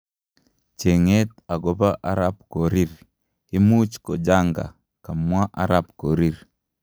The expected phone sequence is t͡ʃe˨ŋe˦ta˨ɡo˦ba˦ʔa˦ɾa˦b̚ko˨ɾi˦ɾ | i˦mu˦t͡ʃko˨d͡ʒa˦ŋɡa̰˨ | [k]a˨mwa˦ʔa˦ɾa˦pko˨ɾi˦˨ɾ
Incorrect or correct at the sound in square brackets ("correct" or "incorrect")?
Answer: correct